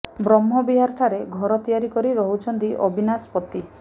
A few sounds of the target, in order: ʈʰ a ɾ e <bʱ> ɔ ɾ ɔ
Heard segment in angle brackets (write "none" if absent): ɡʱ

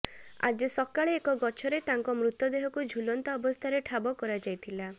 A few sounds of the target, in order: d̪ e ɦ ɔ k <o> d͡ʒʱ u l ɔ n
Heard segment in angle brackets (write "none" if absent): u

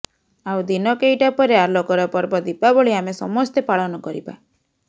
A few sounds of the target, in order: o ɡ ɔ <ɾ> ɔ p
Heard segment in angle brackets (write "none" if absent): ɾ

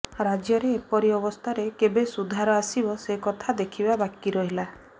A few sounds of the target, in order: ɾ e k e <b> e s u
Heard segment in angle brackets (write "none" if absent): b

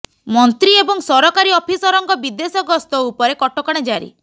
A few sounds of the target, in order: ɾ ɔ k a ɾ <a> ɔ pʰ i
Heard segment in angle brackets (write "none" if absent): i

